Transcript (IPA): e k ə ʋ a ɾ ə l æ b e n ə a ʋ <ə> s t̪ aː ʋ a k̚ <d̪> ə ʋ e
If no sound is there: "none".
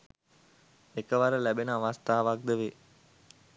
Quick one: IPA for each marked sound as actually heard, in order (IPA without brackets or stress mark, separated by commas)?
a, d̪